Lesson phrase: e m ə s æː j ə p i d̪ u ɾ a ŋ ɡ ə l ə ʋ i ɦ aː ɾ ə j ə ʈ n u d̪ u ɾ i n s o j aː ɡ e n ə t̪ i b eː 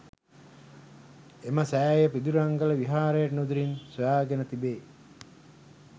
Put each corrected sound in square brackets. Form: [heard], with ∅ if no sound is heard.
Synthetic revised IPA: e m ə s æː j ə p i d̪ u ɾ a ŋ ɡ ə l ə ʋ i ɦ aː ɾ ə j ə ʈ n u d̪ u ɾ i n s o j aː ɡ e n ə t̪ i b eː